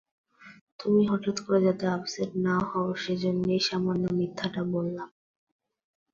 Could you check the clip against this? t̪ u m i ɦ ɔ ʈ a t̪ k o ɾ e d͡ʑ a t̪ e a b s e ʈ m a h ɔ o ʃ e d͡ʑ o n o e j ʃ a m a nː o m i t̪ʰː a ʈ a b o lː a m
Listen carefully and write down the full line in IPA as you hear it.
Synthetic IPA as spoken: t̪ u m i ɦ ɔ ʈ a t̪ k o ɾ e d͡ʑ a t̪ e a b s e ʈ n a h ɔ o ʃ e d͡ʑ o nː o e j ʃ a m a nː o m i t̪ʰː a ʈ a b o lː a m